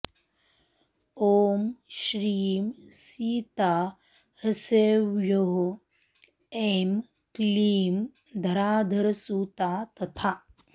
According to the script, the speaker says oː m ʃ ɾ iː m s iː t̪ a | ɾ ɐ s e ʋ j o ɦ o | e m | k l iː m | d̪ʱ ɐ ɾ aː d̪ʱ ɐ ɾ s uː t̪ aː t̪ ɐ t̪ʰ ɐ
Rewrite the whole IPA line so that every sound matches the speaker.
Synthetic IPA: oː m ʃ ɾ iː m s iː t̪ a | ɾ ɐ s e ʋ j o ɦ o | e m | k l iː m | d̪ʱ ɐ ɾ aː d̪ʱ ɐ ɾ s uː t̪ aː t̪ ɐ t̪ʰ a